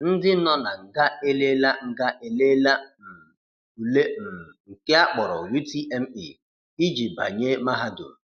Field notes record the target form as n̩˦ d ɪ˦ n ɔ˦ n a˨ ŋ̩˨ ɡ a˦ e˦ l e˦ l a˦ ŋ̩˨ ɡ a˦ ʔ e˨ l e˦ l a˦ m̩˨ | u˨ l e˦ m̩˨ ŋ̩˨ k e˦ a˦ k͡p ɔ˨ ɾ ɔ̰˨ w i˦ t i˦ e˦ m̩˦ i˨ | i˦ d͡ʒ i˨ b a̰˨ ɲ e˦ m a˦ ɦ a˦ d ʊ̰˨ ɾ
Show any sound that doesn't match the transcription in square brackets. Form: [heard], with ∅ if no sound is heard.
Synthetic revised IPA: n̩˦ d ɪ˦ n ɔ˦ n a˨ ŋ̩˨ ɡ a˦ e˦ l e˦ l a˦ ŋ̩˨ ɡ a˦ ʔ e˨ l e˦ l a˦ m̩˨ | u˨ l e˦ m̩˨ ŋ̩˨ k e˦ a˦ k͡p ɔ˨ ɾ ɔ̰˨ w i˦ t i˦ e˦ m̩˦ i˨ | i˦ d͡ʒ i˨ b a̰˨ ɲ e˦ m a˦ ɦ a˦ d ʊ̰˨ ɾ

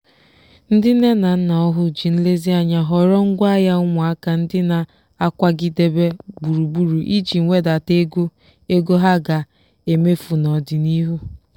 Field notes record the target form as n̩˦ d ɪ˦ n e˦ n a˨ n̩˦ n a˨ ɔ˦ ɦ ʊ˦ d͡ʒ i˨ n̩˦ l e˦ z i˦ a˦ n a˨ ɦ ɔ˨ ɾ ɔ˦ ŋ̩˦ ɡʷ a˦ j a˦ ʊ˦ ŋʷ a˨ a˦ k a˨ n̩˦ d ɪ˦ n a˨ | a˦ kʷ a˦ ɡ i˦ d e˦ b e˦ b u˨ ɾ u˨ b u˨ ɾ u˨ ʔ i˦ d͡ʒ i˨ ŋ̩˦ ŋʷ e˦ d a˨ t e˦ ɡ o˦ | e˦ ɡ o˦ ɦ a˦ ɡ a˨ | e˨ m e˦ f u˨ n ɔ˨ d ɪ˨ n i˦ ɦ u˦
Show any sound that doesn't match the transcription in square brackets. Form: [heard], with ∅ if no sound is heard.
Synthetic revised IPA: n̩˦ d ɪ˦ n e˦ n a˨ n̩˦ n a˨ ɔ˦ ɦ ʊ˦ d͡ʒ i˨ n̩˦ l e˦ z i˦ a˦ [ɲ] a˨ ɦ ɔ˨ ɾ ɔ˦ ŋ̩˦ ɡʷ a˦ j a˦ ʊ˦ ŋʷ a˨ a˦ k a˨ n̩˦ d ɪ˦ n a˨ | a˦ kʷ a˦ ɡ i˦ d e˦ b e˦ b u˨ ɾ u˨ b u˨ ɾ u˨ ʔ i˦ d͡ʒ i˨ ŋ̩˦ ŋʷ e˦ d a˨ t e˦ ɡ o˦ | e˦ ɡ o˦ ɦ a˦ ɡ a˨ | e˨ m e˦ f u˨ n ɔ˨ d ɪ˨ n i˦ ɦ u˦

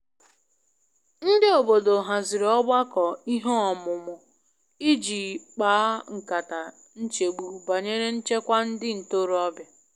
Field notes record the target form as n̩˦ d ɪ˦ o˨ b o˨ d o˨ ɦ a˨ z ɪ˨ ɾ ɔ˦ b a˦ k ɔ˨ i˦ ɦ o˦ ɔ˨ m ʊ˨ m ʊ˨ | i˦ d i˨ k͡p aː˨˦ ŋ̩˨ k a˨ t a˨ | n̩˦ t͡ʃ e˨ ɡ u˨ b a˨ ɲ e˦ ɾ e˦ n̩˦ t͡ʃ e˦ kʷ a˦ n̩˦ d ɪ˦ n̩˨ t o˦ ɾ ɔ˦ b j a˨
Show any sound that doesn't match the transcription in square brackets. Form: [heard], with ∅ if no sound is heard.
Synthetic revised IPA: n̩˦ d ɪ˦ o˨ b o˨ d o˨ ɦ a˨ z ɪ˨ ɾ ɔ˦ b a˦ k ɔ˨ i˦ ɦ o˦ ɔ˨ m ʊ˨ m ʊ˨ | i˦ [d͡ʒ] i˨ k͡p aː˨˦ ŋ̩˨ k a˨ t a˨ | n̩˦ t͡ʃ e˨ [ɡ͡b] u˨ b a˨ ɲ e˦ ɾ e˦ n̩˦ t͡ʃ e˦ kʷ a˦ n̩˦ d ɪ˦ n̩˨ t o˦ ɾ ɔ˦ b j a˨

